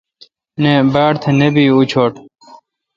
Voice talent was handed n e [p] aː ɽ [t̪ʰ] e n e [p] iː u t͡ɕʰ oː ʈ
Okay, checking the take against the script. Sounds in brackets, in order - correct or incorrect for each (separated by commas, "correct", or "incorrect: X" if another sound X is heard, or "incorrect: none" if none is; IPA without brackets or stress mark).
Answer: incorrect: b, correct, incorrect: b